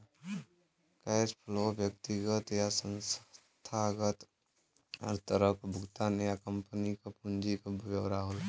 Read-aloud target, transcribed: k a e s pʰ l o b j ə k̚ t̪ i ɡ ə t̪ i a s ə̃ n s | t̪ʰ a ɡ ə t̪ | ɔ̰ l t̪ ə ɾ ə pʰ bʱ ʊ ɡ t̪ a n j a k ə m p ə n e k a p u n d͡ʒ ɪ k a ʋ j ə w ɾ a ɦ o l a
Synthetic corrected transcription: k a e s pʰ l o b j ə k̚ t̪ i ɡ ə t̪ j a s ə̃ n s | t̪ʰ a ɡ ə t̪ | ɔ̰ ɾ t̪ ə ɾ ə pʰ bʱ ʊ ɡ t̪ a n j a k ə m p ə n i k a p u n d͡ʒ i k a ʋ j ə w ɾ a ɦ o l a